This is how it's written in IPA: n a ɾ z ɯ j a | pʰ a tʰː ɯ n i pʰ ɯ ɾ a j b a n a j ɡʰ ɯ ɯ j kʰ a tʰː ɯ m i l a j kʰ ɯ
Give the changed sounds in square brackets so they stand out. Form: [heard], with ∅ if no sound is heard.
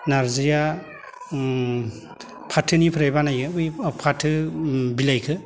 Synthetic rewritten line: n a ɾ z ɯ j a | pʰ a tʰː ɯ n i pʰ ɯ ɾ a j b a n a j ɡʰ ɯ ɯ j [pʰ] a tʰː ɯ [b] i l a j kʰ ɯ

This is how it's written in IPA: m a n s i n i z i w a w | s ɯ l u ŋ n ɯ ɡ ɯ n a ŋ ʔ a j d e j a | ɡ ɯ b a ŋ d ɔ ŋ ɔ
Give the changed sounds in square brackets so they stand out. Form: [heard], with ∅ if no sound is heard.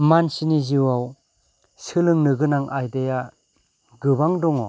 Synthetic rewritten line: m a n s i n i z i w a w | s ɯ l [ɯ] ŋ n ɯ ɡ ɯ n a ŋ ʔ a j d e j a | ɡ ɯ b a ŋ d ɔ ŋ ɔ

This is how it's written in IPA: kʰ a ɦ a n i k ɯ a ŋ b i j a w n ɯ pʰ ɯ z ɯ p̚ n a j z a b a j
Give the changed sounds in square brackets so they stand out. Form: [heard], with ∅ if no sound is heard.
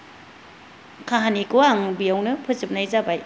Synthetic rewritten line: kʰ a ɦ a n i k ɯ a ŋ b i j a w n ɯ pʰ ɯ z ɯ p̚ n a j z a b a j

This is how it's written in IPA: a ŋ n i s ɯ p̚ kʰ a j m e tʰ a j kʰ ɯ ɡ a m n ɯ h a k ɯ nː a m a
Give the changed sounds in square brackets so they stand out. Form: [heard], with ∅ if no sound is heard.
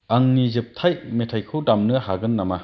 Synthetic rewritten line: a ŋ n i [z] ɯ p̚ [tʰ] a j m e tʰ a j kʰ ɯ [d] a m n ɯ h a [ɡ] ɯ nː a m a

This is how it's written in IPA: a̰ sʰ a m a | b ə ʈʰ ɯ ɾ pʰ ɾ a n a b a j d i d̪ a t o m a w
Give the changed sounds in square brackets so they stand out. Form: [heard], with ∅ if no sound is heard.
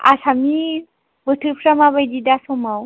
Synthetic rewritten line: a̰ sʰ a m [i] | b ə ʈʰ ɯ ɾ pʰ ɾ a [m] a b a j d i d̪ a [s] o m a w

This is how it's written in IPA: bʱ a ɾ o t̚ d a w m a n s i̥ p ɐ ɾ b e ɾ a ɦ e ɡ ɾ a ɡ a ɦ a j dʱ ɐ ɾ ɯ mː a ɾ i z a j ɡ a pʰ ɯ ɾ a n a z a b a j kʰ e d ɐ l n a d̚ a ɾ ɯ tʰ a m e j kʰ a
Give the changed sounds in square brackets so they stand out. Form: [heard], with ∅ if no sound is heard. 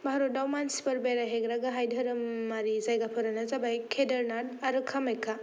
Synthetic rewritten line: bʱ a ɾ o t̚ d a w m a n s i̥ p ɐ ɾ b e ɾ a ɦ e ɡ ɾ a ɡ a ɦ a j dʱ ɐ ɾ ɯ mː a ɾ i z a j ɡ a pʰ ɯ ɾ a n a z a b a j kʰ e d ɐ [ɾ] n a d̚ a ɾ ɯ [kʰ] a m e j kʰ a

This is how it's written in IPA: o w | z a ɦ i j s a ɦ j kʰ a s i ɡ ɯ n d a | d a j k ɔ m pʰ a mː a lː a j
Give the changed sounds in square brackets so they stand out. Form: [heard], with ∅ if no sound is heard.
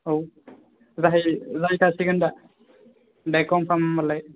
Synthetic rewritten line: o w | z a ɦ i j [z] a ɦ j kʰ a s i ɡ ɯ n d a | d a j k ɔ m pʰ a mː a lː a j

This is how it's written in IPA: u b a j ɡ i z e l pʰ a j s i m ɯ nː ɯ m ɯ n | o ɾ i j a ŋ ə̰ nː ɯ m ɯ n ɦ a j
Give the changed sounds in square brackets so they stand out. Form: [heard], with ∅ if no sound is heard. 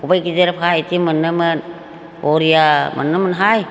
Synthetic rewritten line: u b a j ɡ i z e [ɾ] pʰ a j [t] i m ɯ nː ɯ m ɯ n | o ɾ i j a [m] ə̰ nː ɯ m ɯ n ɦ a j

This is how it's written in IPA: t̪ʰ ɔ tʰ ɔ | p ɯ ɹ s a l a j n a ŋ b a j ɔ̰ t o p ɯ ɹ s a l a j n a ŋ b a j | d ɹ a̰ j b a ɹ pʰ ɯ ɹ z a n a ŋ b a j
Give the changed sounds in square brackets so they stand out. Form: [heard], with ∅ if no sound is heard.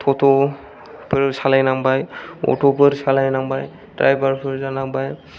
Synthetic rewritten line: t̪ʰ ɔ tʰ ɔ | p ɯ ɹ s a l a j n a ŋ b a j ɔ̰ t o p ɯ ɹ s a l a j n a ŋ b a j | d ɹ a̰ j b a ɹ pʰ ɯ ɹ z a n a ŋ b a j

